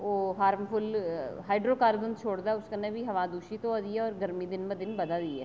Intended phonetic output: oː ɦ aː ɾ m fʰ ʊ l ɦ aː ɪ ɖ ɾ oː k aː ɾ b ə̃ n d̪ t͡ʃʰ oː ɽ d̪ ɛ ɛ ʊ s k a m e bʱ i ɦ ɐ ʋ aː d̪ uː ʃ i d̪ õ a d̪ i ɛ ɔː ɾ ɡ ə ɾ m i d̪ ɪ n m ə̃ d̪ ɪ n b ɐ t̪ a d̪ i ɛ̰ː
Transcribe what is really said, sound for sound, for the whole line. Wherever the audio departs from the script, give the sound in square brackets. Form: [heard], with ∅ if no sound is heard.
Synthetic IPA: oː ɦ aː ɾ m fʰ ʊ l ɦ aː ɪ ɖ ɾ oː k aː ɾ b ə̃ n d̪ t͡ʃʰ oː ɽ d̪ [a] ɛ ʊ s k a [n] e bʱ i ɦ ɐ ʋ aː d̪ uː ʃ i [t̪] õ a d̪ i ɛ ɔː ɾ ɡ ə ɾ m i d̪ ɪ n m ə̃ d̪ ɪ n b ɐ [d̪] a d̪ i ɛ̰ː